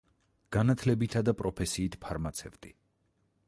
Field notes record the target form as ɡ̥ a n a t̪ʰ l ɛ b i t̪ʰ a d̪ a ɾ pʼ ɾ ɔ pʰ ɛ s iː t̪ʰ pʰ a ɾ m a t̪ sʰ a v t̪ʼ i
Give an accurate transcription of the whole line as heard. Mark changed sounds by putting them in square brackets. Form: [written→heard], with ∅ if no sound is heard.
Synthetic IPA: ɡ̥ a n a t̪ʰ l ɛ b i t̪ʰ a d̪ a [ɾ→∅] pʼ ɾ ɔ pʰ ɛ s iː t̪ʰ pʰ a ɾ m a t̪ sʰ [a→ɛ] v t̪ʼ i